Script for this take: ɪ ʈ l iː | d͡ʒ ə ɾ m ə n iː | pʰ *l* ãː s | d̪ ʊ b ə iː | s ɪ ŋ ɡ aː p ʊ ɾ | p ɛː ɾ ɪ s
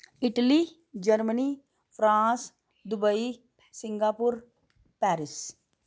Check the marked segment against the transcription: incorrect: ɾ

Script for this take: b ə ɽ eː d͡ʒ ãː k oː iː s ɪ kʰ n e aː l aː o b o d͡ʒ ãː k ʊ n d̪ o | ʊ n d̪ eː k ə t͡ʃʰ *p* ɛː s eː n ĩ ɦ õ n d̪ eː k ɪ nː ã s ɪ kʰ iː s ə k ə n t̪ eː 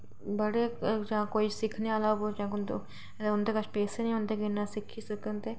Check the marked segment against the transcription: correct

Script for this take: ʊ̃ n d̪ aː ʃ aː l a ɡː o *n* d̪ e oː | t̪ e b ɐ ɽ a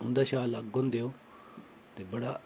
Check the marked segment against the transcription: correct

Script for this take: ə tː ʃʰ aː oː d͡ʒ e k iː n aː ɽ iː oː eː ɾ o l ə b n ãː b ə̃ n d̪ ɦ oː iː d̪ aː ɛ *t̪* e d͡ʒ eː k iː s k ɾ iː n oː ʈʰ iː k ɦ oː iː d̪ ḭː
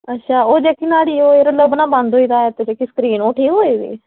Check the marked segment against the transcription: correct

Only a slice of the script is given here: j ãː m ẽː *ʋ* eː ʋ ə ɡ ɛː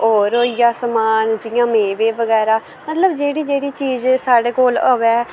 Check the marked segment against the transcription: correct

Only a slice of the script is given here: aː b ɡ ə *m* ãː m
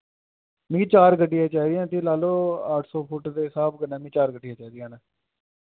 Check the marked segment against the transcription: incorrect: n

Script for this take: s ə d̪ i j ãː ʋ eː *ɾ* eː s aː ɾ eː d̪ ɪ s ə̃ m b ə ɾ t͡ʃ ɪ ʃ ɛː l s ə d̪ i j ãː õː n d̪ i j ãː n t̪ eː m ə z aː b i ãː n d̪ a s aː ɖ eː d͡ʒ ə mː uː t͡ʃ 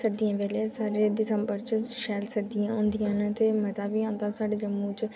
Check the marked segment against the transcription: incorrect: l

